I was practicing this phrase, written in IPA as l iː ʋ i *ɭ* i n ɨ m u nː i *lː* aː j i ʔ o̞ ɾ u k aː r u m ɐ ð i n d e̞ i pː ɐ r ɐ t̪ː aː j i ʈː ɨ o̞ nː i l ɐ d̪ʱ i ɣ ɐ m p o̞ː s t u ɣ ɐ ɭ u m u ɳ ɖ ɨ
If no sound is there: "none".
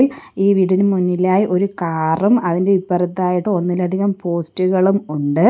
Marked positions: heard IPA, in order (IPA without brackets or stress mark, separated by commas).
ɽ, l